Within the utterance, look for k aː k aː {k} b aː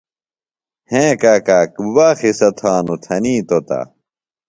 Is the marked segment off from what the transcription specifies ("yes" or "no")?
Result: no